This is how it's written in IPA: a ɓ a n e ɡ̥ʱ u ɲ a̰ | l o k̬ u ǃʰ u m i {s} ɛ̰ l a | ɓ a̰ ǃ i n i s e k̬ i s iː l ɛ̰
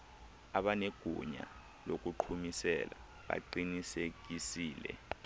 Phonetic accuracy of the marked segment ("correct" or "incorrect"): correct